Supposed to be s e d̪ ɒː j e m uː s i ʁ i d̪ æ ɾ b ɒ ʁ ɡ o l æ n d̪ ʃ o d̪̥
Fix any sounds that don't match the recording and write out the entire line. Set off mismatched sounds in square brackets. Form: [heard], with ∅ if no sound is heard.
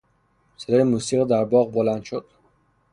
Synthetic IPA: s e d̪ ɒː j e m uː s i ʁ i d̪ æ ɾ b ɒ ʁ [b] o l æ n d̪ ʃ o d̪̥